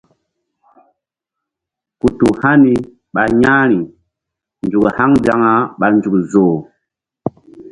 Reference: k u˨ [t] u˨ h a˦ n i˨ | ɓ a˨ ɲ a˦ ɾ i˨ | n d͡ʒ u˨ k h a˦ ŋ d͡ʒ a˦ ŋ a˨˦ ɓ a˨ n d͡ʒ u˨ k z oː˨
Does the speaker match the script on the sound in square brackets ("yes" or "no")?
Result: yes